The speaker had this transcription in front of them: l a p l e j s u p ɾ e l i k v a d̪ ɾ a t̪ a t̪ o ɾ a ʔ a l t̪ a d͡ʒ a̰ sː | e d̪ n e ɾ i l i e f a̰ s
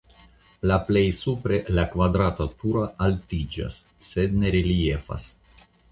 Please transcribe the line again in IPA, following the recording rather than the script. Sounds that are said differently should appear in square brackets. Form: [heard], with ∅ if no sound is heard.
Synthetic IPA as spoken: l a p l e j s u p ɾ e l [a] k v a d̪ ɾ a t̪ a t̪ [u] ɾ a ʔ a l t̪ [i] d͡ʒ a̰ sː | e d̪ n e ɾ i l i e f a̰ s

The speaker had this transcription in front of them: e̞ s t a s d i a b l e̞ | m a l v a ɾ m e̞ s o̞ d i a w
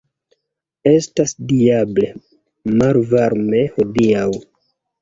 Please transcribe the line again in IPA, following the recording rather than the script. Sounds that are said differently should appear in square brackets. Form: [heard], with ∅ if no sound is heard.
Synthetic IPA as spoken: e̞ s t a s d i a b l e̞ | m a l v a ɾ m e̞ [h] o̞ d i a w

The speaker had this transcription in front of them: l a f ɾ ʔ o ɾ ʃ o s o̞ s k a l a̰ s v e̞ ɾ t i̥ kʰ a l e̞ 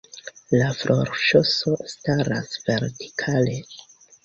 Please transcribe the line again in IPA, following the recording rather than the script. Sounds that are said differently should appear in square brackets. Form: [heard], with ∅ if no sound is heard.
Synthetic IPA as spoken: l a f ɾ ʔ o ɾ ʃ o s o̞ s [t] a [ɾ] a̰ s v e̞ ɾ t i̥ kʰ a l e̞

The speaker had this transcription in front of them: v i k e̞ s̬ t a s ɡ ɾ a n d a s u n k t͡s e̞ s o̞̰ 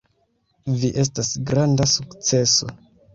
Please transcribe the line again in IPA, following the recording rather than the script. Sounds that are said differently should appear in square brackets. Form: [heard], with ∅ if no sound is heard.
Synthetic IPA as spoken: v i [ʔ] e̞ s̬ t a s ɡ ɾ a n d a s u [∅] k t͡s e̞ s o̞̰

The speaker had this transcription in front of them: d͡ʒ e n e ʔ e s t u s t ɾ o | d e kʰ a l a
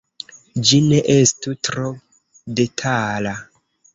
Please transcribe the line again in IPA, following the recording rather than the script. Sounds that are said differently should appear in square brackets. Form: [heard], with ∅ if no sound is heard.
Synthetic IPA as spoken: d͡ʒ [i] n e ʔ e s t u [∅] t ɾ o | d e [tʰ] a l a

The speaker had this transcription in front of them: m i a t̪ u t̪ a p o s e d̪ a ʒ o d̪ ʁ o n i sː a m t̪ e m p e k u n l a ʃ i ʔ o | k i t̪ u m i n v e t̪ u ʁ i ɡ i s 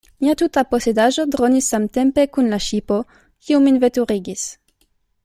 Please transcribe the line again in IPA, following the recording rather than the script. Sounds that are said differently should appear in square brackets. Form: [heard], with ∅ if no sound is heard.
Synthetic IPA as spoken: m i a t̪ u t̪ a p o s e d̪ a ʒ o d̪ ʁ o n i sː a m t̪ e m p e k u n l a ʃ i [p] o | k i [∅] u m i n v e t̪ u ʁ i ɡ i s

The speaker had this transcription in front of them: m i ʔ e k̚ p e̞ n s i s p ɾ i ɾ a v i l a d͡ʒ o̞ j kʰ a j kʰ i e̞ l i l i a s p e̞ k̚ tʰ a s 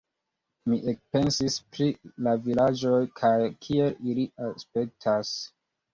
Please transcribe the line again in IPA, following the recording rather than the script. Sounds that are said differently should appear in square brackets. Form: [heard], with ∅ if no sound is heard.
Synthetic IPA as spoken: m i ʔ e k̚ p e̞ n s i s p ɾ i [l] a v i l a d͡ʒ o̞ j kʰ a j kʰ i e̞ l i l i a s p e̞ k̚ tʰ a s

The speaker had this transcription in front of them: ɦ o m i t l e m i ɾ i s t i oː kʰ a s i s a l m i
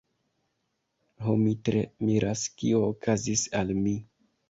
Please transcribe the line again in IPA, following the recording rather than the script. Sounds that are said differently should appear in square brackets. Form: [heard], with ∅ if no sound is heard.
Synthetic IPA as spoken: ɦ o m i t [ɾ] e m i ɾ [a] s [k] i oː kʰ a [z] i s a l m i

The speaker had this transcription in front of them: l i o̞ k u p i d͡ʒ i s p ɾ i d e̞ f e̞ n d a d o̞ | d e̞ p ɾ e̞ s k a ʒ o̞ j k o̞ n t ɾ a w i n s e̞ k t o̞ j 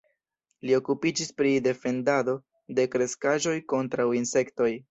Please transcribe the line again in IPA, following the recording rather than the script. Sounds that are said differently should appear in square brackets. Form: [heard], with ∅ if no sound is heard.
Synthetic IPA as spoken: l i o̞ k u p i d͡ʒ i s p ɾ i d e̞ f e̞ n d a d o̞ | d e̞ [k] ɾ e̞ s k a ʒ o̞ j k o̞ n t ɾ a w i n s e̞ k t o̞ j

